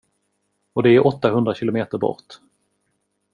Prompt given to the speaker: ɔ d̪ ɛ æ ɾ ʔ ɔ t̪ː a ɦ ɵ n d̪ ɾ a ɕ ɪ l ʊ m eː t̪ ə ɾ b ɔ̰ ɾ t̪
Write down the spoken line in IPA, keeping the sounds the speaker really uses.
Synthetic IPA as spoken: ɔ d̪ ɛ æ ɾ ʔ ɔ t̪ː a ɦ ɵ n d̪ ɾ a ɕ ɪ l ʊ m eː t̪ ə ɾ b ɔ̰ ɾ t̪